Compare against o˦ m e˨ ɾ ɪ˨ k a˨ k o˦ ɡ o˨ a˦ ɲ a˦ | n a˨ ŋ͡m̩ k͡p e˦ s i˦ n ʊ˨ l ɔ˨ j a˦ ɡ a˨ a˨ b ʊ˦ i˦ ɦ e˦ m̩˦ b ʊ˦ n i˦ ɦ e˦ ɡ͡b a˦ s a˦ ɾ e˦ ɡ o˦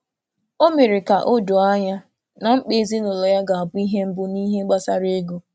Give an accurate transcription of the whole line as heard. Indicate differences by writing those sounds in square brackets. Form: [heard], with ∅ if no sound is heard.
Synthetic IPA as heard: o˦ m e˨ ɾ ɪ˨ k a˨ [ʔ] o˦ [d] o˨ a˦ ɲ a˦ | n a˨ ŋ͡m̩ k͡p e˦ [z] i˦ n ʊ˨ l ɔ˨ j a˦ ɡ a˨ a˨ b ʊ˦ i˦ ɦ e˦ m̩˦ b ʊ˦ n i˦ ɦ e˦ ɡ͡b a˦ s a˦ ɾ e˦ ɡ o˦